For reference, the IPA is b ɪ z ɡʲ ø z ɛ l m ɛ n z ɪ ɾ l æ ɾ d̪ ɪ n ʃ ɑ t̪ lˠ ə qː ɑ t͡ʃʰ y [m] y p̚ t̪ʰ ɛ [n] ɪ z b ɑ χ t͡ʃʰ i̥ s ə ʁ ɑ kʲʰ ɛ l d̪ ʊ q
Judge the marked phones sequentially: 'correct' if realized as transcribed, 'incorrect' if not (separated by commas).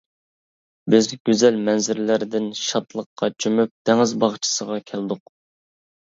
correct, incorrect